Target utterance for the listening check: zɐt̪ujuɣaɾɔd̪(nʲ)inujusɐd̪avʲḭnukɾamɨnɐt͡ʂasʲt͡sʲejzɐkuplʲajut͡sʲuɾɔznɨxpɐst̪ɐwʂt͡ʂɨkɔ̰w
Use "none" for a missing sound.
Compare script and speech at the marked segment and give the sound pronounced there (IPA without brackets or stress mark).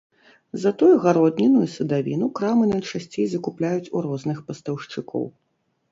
nʲ